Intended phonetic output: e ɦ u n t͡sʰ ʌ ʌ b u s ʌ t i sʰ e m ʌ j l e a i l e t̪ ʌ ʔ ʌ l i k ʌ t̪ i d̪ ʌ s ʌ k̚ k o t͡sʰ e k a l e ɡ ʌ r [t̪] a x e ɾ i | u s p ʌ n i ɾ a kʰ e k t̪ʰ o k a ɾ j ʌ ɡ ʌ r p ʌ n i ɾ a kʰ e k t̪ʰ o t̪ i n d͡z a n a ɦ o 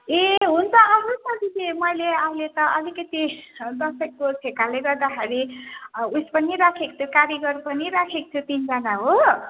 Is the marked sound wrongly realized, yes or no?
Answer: yes